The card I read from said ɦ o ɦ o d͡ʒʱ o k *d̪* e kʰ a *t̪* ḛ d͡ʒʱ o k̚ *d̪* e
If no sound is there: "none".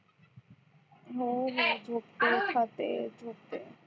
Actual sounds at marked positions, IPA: t̪, t̪, t̪

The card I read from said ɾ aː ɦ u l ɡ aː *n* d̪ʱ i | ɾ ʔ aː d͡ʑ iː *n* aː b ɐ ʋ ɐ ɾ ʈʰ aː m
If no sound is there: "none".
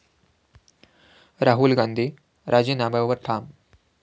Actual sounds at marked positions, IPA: n, n

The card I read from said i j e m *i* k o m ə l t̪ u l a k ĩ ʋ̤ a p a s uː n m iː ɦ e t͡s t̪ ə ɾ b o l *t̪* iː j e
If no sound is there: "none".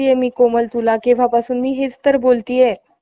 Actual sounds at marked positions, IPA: iː, t̪

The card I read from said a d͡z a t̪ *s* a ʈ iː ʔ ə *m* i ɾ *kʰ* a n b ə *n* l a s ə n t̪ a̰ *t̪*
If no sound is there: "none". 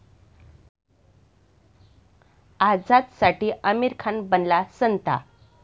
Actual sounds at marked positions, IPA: s, m, kʰ, n, none

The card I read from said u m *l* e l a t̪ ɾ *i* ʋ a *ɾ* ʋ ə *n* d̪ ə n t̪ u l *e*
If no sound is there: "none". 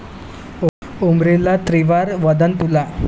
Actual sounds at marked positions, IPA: ɾ, i, ɾ, none, a

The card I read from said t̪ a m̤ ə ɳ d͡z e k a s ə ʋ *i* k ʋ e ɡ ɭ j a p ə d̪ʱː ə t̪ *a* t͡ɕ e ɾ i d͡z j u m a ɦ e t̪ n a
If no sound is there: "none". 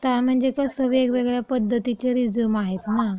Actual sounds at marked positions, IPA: e, i

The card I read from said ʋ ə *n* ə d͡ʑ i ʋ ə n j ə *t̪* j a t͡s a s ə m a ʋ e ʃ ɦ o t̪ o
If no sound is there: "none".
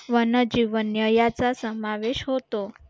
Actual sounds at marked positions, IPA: n, none

